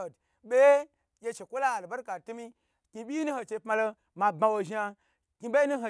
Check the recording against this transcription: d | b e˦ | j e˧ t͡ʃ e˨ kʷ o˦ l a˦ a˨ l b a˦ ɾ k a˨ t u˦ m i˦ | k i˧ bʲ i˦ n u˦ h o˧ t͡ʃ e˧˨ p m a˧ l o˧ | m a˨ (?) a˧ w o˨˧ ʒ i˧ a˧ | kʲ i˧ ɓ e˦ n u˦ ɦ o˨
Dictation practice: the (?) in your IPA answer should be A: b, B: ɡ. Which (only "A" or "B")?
A